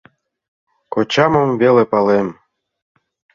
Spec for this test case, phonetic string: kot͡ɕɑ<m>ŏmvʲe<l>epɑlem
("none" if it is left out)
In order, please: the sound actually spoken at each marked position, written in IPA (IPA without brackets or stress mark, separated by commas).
m, l